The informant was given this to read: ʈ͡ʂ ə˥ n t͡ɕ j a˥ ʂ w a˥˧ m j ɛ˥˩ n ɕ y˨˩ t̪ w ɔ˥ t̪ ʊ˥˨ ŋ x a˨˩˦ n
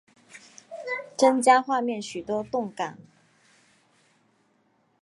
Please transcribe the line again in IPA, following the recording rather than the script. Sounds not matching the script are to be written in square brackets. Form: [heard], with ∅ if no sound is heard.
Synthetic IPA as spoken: ʈ͡ʂ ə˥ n t͡ɕ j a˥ [x] w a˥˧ m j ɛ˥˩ n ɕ y˨˩ t̪ w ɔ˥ t̪ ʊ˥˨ ŋ [k] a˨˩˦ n